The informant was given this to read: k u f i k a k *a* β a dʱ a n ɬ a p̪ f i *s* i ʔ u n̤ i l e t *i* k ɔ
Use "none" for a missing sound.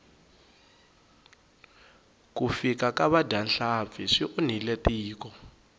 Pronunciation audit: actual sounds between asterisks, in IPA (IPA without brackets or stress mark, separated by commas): a, ʂ, iː